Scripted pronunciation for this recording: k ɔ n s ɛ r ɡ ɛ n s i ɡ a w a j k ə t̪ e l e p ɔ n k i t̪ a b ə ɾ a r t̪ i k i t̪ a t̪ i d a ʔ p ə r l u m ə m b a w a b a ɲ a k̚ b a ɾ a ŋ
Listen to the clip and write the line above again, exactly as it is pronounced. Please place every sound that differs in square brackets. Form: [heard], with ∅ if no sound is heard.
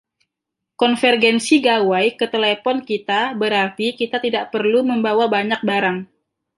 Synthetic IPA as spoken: k ɔ n [f] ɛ r ɡ ɛ n s i ɡ a w a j k ə t̪ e l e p ɔ n k i t̪ a b ə ɾ a r t̪ i k i t̪ a t̪ i d a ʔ p ə r l u m ə m b a w a b a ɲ a k̚ b a ɾ a ŋ